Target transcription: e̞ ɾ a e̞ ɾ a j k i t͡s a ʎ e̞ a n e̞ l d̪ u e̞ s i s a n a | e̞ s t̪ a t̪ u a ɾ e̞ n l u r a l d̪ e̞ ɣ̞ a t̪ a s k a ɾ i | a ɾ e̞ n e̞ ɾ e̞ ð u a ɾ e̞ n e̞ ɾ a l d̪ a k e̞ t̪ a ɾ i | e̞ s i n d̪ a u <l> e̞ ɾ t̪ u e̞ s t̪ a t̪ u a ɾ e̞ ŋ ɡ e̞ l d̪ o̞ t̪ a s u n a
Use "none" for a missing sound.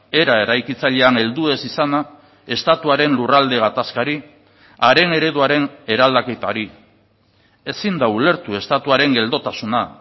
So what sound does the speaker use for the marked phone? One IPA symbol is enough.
l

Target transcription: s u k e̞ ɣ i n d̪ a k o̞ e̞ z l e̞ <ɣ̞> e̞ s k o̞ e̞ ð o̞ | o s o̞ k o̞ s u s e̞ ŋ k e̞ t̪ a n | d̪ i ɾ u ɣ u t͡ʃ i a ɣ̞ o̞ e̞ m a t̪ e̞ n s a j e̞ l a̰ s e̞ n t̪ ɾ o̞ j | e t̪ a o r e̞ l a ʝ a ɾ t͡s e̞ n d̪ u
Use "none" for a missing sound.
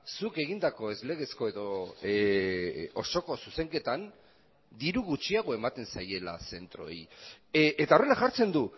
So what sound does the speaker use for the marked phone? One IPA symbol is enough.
ɣ̞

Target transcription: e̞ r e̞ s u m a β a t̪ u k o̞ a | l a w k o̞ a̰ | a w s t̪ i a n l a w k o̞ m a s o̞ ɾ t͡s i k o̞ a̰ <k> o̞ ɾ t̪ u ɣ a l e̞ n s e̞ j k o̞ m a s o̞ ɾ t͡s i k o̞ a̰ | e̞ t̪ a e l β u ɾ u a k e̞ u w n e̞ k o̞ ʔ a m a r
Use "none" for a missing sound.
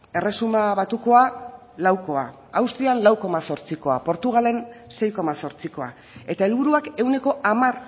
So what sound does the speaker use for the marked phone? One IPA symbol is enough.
p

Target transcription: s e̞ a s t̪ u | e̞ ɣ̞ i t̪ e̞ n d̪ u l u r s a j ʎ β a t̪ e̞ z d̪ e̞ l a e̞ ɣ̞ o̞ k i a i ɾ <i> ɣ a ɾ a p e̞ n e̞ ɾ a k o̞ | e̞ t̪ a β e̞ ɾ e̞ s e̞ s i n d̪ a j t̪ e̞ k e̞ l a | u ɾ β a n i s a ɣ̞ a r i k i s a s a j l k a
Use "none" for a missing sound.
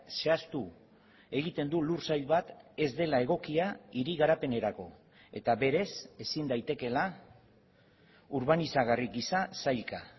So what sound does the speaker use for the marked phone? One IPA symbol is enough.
i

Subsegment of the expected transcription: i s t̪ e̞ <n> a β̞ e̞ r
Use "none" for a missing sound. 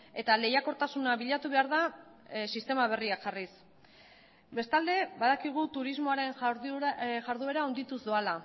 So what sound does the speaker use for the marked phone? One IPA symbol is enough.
m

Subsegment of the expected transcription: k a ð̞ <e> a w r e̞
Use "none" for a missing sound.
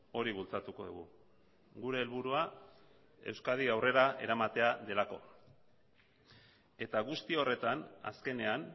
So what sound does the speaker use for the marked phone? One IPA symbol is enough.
i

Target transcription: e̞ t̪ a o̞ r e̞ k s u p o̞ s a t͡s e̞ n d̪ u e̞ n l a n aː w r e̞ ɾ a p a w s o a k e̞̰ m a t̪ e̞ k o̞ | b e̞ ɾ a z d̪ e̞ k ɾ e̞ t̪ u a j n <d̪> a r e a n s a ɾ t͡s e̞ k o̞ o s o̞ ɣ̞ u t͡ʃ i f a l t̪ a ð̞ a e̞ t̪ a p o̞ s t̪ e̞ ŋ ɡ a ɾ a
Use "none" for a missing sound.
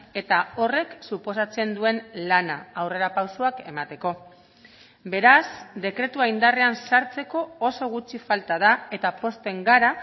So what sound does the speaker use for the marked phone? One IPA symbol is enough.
d̪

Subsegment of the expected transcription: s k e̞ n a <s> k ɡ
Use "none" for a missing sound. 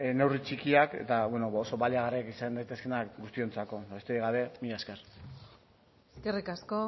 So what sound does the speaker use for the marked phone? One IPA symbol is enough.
none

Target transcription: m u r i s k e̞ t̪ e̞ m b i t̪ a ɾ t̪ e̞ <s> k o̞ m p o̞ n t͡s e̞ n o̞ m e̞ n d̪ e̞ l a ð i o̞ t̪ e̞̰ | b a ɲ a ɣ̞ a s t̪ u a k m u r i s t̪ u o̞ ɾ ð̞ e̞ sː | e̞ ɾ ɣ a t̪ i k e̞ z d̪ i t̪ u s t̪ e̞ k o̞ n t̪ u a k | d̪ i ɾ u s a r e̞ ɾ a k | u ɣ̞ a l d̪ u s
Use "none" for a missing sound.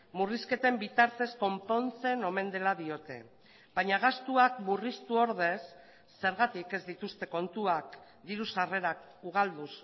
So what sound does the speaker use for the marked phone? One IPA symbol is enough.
s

